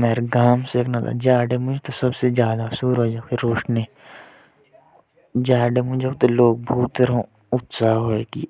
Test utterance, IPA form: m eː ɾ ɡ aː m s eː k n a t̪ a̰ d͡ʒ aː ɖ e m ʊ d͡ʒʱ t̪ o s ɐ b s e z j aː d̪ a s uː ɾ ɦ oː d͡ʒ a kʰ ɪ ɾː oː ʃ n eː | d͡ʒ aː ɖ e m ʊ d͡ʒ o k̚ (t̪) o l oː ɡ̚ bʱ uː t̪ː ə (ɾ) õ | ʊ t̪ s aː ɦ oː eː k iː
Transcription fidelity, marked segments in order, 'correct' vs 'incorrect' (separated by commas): correct, correct